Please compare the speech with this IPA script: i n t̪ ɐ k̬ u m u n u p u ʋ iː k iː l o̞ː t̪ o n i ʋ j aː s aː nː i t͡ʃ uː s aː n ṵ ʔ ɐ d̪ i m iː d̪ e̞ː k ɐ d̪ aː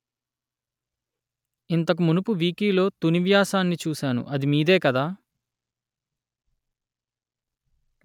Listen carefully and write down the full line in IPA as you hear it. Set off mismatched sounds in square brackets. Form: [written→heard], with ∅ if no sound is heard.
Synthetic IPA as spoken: i n t̪ ɐ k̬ u m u n u p u ʋ iː k iː l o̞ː t̪ [o→u] n i ʋ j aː s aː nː i t͡ʃ uː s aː n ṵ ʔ ɐ d̪ i m iː d̪ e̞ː k ɐ d̪ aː